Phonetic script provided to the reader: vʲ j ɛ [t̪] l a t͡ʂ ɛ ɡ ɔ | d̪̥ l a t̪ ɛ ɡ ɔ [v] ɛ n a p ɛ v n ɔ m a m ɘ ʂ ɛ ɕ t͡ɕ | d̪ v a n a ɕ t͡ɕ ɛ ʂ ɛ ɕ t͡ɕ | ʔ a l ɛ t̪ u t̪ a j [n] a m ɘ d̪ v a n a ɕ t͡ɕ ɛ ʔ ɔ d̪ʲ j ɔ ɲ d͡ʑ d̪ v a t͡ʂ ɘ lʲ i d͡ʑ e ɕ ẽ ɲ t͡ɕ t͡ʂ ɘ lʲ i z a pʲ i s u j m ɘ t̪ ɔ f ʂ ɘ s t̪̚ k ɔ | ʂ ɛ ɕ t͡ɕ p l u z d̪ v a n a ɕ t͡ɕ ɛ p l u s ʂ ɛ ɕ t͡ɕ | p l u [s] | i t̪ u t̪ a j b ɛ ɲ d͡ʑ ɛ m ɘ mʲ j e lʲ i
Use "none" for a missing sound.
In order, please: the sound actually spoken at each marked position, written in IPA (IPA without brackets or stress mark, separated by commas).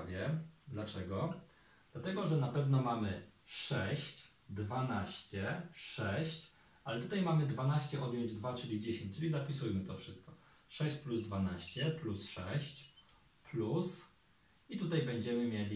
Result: d̪, ʐ, m, s